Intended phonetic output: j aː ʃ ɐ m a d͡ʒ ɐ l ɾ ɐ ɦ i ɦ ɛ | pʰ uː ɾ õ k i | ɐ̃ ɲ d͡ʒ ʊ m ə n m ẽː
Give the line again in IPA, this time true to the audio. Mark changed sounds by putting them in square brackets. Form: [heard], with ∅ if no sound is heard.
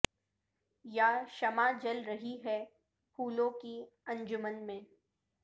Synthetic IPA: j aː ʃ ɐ m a d͡ʒ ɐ l ɾ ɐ ɦ i ɦ ɛ | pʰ uː [l] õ k i | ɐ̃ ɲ d͡ʒ ʊ m ə n m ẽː